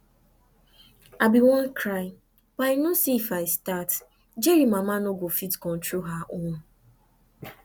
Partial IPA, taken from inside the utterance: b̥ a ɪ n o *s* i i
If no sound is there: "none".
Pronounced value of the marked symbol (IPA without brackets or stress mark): s